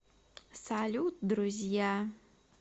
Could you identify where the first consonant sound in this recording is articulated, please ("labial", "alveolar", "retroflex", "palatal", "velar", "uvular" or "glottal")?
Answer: alveolar